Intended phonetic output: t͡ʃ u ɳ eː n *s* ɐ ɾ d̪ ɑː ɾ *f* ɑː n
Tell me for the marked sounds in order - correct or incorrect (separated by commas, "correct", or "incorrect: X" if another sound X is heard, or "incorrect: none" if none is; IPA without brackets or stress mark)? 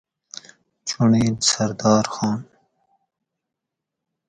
correct, incorrect: x